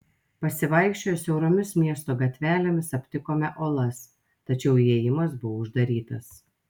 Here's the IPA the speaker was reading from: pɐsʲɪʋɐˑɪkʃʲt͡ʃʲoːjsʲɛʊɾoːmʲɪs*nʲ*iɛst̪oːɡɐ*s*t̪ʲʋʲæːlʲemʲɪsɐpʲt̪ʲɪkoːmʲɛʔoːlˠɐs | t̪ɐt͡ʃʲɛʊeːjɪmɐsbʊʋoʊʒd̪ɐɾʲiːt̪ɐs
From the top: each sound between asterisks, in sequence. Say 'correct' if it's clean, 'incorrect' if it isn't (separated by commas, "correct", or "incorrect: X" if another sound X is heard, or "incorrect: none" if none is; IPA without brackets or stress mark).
incorrect: mʲ, incorrect: none